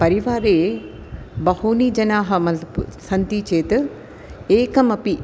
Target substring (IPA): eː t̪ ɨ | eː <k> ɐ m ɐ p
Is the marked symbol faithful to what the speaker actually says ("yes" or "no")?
yes